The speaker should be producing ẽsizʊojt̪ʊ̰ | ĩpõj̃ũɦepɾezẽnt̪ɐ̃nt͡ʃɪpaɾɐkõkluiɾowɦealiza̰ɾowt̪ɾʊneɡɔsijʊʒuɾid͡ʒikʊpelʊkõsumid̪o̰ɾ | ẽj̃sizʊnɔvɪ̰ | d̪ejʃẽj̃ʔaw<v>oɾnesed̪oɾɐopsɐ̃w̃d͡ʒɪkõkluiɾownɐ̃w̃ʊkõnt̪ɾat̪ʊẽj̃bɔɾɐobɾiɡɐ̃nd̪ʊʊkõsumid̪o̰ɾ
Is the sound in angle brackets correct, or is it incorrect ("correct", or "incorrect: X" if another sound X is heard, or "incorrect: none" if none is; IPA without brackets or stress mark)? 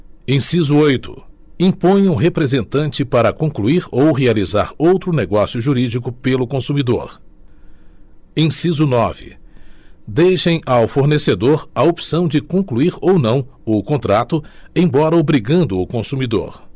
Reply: incorrect: f